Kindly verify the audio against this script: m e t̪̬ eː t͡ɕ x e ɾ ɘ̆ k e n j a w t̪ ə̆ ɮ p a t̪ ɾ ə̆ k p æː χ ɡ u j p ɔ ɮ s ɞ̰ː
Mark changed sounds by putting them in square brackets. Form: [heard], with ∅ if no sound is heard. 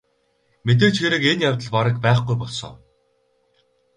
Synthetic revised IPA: m e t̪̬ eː t͡ɕ x e ɾ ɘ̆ k e n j a w t̪ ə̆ ɮ p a [∅] ɾ ə̆ k p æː χ ɡ u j p ɔ ɮ s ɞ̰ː